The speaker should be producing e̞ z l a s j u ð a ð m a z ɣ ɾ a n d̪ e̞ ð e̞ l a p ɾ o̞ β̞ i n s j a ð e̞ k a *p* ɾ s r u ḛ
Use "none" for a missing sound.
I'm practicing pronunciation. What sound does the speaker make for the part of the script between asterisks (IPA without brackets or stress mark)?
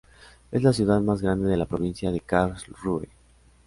none